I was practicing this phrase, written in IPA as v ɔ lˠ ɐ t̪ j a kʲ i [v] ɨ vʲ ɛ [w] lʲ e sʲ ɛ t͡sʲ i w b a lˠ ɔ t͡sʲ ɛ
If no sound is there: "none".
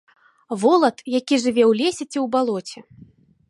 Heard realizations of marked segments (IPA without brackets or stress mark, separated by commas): ʐ, w